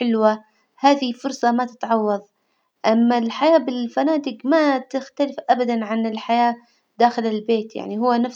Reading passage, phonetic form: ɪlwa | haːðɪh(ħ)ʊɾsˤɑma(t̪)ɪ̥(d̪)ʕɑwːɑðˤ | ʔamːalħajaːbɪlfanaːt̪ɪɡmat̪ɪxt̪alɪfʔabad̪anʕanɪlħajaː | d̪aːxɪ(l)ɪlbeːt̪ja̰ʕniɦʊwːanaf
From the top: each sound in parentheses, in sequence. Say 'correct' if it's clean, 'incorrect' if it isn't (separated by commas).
incorrect, correct, incorrect, correct